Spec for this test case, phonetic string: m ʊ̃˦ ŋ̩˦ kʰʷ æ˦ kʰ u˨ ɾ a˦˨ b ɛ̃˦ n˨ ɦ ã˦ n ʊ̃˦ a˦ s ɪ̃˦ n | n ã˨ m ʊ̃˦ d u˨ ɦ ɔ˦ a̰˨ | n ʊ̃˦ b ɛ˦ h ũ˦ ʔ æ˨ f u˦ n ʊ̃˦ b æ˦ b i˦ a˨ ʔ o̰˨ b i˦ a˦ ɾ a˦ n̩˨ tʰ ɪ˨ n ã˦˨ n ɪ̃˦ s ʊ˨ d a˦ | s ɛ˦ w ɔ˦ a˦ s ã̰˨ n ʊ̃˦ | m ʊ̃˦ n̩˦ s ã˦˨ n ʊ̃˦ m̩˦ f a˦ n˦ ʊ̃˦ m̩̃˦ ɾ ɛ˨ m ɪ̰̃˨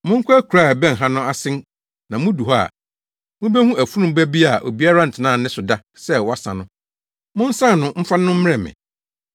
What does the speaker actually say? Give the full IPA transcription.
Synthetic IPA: m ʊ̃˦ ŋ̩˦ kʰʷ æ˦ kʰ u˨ ɾ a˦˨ b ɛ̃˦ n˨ ɦ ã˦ n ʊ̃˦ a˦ s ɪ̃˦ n | n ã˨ m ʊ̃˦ d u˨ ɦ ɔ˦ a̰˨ | m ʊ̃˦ b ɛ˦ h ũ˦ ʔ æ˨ f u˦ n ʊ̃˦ b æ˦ b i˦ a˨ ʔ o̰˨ b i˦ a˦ ɾ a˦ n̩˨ tʰ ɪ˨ n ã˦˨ n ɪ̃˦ s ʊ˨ d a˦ | s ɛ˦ w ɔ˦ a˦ s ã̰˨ n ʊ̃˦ | m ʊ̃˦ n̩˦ s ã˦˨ n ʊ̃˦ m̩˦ f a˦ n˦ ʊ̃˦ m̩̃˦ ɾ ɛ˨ m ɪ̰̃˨